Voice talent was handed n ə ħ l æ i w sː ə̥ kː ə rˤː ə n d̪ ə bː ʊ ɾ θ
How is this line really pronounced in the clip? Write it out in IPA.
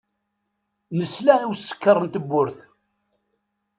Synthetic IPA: n ə s l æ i w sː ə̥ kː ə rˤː ə n t̪ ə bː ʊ ɾ θ